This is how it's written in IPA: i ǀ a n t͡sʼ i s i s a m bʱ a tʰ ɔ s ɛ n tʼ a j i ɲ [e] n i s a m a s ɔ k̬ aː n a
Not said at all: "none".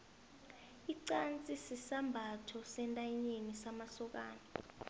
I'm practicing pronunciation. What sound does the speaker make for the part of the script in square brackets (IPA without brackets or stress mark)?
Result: e